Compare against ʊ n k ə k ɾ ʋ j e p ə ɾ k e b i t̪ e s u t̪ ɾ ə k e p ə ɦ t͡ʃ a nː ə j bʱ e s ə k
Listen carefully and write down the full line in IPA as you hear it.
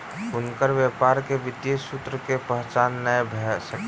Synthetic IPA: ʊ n k ə ɾ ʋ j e p a ɾ k e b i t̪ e s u t̪ ɾ ə k e p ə ɦ t͡ʃ a nː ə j bʱ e s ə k